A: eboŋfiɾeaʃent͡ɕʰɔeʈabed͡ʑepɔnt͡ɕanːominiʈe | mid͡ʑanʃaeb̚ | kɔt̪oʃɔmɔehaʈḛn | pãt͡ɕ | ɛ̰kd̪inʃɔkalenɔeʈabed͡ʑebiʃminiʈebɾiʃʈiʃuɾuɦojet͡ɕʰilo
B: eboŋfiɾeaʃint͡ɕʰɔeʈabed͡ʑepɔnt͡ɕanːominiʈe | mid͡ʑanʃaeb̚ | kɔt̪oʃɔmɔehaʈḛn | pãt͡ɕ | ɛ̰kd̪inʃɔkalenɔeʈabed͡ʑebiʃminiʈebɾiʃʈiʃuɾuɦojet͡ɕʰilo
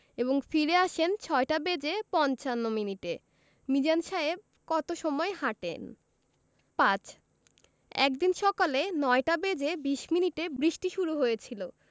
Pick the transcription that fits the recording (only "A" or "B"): A